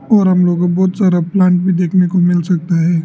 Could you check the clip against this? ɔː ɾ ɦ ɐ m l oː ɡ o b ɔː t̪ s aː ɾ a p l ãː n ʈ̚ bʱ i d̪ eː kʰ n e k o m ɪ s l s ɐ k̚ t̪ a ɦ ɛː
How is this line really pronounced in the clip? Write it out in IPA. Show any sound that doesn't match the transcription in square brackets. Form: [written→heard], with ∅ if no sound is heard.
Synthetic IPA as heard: ɔː ɾ ɦ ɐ m l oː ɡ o b ɔː t̪ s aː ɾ a p l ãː [n→ɳ] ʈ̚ bʱ i d̪ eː kʰ n e k o m ɪ [s→∅] l s ɐ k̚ t̪ a ɦ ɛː